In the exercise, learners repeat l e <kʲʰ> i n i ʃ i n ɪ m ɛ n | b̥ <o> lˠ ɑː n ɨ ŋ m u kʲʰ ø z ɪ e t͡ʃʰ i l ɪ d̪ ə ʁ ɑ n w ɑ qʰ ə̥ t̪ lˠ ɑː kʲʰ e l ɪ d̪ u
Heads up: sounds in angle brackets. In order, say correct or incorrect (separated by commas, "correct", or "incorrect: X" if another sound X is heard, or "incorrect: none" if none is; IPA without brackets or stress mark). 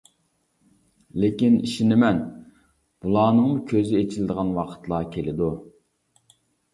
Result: incorrect: kʲ, incorrect: u